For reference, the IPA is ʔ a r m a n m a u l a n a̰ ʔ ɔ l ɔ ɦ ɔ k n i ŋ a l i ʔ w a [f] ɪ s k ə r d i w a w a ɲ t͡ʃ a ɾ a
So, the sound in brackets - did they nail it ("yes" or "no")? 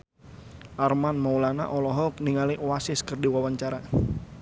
no